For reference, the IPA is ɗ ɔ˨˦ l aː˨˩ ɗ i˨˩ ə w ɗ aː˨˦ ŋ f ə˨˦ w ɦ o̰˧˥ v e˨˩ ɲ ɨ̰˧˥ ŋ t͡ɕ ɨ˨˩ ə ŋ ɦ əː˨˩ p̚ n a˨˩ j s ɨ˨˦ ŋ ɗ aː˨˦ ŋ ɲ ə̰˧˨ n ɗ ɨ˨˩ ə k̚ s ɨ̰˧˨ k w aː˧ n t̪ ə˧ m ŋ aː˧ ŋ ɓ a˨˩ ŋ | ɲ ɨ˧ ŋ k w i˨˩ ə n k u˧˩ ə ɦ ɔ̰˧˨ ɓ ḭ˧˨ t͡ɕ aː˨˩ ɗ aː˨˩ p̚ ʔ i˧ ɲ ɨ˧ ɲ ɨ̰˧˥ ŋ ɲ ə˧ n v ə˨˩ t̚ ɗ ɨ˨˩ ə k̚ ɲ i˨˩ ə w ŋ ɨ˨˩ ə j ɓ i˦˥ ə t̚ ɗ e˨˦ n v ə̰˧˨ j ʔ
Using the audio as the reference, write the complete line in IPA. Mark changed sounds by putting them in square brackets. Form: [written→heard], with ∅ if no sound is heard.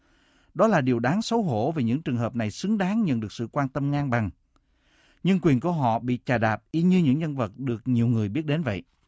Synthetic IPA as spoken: ɗ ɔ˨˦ l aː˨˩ ɗ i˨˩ ə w ɗ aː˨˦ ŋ [f→s] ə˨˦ w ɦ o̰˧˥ v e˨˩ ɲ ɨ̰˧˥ ŋ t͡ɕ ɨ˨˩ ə ŋ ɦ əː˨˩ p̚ n a˨˩ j s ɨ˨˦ ŋ ɗ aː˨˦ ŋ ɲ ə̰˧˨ n ɗ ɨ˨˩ ə k̚ s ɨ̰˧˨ k w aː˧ n t̪ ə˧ m ŋ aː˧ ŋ ɓ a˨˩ ŋ | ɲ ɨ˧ ŋ k w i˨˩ ə n k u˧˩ ə ɦ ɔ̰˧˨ ɓ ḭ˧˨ t͡ɕ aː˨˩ ɗ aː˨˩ p̚ ʔ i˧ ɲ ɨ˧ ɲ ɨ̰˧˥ ŋ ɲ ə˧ n v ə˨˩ t̚ ɗ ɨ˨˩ ə k̚ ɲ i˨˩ ə w ŋ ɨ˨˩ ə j ɓ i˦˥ ə t̚ ɗ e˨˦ n v ə̰˧˨ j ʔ